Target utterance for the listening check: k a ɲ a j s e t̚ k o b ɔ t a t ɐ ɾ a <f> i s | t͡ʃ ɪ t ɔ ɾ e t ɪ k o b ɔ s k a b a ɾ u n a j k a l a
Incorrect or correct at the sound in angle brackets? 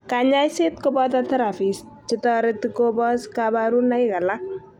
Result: correct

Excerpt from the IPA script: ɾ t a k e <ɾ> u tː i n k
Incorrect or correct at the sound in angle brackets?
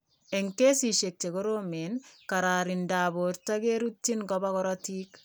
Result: correct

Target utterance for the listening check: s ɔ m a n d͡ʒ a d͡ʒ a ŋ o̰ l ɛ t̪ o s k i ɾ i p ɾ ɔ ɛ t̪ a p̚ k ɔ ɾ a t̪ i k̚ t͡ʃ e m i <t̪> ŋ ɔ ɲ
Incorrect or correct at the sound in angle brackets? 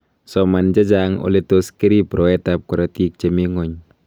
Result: incorrect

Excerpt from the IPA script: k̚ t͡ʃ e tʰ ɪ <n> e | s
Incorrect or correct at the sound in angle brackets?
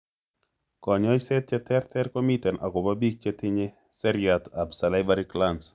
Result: incorrect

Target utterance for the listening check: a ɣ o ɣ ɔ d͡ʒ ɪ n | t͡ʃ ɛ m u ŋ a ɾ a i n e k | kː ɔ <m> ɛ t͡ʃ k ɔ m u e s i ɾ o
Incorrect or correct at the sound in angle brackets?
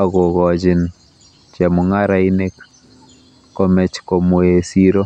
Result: correct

